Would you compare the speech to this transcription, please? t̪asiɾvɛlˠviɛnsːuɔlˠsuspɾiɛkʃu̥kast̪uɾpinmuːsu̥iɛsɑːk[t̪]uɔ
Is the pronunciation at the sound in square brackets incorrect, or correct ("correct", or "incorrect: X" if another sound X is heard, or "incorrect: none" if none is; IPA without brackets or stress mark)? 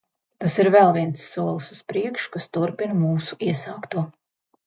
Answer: correct